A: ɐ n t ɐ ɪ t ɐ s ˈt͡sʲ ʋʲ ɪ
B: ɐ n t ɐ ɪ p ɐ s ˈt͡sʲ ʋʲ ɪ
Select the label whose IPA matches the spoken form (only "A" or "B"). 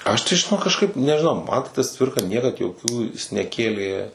A